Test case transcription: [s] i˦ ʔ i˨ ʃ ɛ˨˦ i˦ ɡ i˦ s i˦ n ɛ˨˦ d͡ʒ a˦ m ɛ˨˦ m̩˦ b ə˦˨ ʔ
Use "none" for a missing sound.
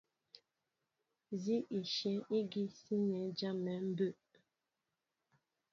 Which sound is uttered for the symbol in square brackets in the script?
z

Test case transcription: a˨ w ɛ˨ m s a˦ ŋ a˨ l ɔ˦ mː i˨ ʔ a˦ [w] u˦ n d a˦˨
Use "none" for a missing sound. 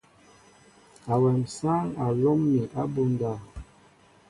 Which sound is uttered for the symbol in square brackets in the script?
b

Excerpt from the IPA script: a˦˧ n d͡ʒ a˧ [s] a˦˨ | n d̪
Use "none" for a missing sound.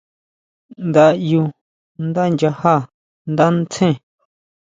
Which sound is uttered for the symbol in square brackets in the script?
h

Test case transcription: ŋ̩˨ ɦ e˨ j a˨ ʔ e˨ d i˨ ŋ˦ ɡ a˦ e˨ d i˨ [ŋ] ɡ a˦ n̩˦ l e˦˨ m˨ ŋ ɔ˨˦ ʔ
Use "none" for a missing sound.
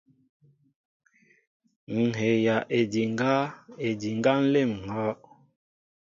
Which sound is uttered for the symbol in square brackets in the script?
ŋ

